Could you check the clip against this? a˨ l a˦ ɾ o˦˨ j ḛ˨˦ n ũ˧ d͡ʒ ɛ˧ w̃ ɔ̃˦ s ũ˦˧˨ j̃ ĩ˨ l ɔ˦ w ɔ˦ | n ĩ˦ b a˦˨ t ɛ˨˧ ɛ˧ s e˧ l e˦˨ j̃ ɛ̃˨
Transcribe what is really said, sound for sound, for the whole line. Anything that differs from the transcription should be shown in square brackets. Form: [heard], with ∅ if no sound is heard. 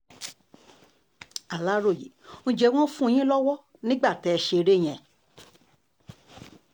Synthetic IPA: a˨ l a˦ ɾ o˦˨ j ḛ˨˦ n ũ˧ d͡ʒ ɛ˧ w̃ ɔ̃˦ [f] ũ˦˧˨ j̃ [ĩ˦] l ɔ˦ w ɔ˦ | n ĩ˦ [ɡ͡b] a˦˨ t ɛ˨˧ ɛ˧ [ʃ] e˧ [ɾ] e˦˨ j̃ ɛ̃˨